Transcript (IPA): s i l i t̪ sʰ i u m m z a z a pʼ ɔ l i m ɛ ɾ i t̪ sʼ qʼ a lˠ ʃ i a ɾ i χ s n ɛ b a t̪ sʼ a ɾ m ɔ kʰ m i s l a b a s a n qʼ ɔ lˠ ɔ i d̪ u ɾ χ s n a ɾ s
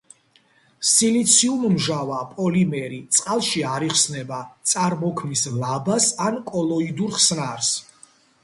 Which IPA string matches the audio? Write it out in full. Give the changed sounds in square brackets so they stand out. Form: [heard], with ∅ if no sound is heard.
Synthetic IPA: s i l i t̪ sʰ i u m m [ʒ] a [v] a pʼ ɔ l i m ɛ ɾ i t̪ sʼ qʼ a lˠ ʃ i a ɾ i χ s n ɛ b a t̪ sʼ a ɾ m ɔ kʰ m i s l a b a s a n [kʼ] ɔ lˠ ɔ i d̪ u ɾ χ s n a ɾ s